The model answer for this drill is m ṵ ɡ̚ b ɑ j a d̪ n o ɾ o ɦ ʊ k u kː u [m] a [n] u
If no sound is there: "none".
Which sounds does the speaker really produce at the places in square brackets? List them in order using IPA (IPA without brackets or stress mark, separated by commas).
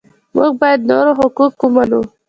m, n